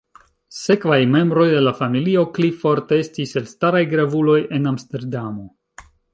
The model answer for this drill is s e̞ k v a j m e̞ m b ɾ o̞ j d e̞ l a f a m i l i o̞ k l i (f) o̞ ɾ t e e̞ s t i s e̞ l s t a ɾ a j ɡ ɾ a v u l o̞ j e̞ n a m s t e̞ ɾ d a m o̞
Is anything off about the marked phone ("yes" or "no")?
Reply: no